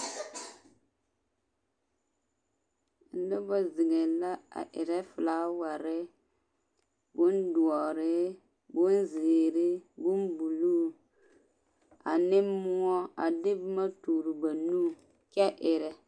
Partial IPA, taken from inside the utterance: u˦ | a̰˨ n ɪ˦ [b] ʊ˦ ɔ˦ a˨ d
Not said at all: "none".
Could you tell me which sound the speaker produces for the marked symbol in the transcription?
m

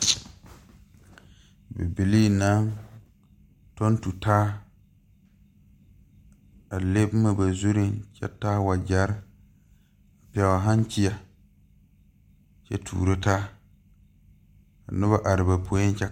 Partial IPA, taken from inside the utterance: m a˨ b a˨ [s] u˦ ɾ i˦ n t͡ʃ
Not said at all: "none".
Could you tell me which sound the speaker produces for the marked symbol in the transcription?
z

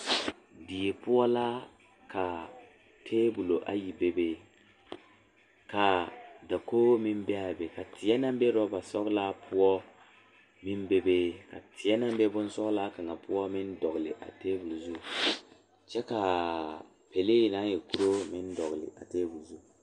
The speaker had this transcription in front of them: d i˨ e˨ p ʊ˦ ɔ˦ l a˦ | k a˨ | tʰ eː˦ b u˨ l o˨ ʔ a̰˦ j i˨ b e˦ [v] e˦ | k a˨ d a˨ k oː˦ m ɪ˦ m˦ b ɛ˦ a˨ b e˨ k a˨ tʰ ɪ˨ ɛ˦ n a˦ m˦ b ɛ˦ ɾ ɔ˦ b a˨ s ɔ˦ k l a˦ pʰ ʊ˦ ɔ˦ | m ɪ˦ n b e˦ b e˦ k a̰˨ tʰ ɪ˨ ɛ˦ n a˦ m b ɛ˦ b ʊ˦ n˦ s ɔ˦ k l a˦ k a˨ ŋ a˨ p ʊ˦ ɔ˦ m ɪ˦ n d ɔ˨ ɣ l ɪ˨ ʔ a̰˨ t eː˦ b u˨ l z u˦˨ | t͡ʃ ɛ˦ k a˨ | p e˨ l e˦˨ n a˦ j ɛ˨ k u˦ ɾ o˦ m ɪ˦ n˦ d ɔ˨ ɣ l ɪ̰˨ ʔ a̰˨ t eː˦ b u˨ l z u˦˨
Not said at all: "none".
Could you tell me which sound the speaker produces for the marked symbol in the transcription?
b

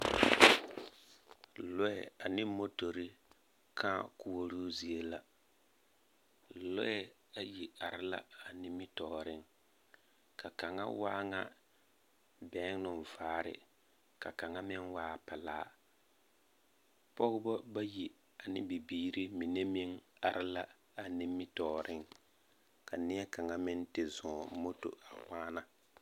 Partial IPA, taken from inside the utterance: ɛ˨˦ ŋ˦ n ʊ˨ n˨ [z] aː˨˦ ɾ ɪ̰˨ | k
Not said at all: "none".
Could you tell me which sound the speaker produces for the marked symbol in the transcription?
v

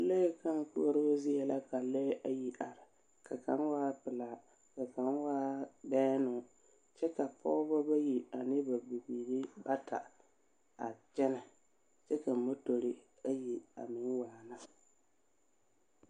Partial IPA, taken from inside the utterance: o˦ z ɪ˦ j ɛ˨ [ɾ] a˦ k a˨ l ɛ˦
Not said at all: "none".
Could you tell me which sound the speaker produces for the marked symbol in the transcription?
l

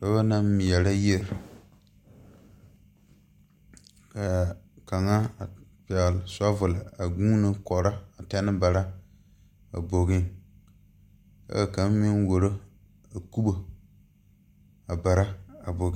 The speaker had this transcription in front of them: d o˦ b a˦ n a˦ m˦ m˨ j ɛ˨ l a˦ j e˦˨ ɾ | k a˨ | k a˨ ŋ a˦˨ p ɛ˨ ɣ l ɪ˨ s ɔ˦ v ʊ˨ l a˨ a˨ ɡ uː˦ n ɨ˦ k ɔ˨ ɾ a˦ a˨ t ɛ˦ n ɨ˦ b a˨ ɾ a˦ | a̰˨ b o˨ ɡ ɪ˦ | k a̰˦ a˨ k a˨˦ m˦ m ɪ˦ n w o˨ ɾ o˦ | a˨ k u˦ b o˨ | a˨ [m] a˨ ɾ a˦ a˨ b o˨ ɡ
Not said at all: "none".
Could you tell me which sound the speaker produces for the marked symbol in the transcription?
b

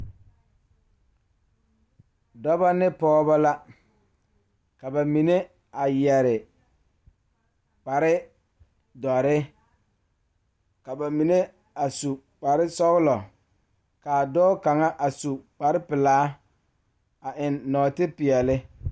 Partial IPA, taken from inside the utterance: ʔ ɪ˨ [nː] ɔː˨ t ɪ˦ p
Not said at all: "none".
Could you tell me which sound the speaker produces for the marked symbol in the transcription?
nː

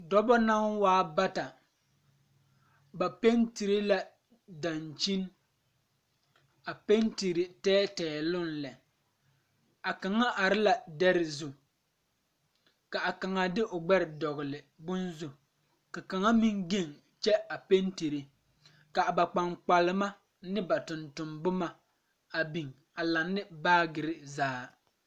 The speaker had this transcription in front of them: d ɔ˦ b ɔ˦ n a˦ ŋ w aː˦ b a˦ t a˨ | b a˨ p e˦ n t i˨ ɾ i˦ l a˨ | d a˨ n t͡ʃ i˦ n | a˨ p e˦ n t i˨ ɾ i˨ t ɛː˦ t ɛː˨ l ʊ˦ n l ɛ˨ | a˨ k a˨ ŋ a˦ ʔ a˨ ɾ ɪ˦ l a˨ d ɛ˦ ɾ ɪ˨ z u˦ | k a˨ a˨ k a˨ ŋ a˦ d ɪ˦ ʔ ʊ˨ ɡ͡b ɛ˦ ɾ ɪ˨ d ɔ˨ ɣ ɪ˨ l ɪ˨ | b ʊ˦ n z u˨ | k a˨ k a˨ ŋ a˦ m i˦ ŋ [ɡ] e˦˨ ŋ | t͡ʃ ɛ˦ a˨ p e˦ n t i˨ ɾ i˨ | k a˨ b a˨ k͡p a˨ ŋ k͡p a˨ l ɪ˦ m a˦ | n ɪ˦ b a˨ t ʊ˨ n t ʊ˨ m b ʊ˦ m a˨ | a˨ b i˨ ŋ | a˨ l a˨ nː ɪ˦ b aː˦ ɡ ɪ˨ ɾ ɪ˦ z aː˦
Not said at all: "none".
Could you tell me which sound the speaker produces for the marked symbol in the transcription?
ɡ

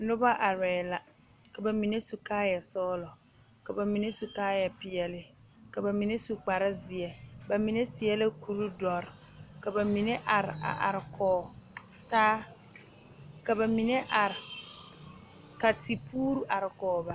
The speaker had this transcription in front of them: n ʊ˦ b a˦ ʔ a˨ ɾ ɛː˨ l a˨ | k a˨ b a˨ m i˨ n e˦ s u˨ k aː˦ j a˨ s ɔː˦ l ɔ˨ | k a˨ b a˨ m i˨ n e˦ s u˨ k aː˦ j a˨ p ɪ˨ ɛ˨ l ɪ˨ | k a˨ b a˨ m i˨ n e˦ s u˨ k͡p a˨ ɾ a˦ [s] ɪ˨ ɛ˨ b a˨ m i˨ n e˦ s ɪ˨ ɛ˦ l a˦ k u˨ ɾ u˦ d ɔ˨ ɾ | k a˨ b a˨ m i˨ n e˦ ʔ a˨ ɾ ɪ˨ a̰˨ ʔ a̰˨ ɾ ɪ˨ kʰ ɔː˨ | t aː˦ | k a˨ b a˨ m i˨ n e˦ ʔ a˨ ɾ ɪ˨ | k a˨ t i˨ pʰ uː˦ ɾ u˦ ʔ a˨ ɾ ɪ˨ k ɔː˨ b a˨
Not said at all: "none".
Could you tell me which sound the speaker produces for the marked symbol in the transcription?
z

